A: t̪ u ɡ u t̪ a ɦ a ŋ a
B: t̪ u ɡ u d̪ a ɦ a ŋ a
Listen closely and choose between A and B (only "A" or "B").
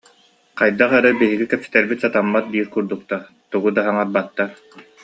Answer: B